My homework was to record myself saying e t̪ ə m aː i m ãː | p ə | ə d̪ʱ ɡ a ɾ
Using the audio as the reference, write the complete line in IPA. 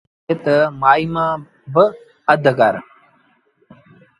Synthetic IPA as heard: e t̪ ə m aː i m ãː | b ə | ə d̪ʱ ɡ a ɾ